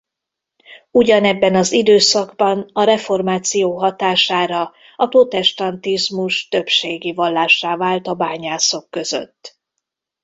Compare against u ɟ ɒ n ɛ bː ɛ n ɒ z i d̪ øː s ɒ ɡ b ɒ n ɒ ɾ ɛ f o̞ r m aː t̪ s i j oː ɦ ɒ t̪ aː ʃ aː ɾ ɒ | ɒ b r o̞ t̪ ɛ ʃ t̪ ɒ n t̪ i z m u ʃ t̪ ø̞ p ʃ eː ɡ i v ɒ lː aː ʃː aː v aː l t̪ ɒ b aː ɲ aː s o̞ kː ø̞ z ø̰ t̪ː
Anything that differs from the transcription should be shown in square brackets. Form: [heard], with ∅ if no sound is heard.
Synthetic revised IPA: u ɟ ɒ n ɛ bː ɛ n ɒ z i d̪ øː s ɒ ɡ b ɒ n ɒ ɾ ɛ f o̞ r m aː t̪ s i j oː ɦ ɒ t̪ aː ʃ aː ɾ ɒ | ɒ [p] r o̞ t̪ ɛ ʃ t̪ ɒ n t̪ i z m u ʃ t̪ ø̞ p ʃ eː ɡ i v ɒ lː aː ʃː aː v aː l t̪ ɒ b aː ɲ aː s o̞ kː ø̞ z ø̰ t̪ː